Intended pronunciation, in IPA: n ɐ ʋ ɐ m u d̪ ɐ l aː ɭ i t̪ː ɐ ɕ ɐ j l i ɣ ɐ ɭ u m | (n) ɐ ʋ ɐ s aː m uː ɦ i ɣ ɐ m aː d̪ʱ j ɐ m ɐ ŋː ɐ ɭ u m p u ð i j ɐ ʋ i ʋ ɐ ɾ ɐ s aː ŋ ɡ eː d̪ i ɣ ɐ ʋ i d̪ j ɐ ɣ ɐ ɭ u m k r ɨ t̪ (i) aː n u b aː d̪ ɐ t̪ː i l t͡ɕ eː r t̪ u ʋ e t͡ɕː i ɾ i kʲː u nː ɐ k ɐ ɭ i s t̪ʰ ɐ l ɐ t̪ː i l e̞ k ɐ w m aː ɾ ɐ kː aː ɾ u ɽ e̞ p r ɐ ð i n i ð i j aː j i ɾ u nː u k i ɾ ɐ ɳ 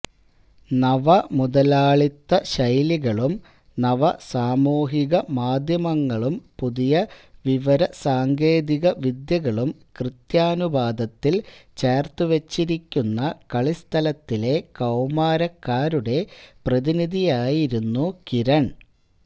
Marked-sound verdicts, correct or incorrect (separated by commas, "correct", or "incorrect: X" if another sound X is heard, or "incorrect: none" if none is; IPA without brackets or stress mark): correct, incorrect: j